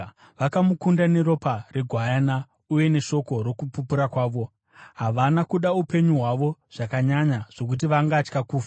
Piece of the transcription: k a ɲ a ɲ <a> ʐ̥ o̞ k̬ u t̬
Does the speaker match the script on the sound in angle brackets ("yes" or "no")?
yes